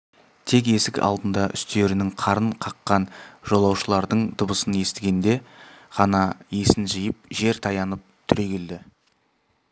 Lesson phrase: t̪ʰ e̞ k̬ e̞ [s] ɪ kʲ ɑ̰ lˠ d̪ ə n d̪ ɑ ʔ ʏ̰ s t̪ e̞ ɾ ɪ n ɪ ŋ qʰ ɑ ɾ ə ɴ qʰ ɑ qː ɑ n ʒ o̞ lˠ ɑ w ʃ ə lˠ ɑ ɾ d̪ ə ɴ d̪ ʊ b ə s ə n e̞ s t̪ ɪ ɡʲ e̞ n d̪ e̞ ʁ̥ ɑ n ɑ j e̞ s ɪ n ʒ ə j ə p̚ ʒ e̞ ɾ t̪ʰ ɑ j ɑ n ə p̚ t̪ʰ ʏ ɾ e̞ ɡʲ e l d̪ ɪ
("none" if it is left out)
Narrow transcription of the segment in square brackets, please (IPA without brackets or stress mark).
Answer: s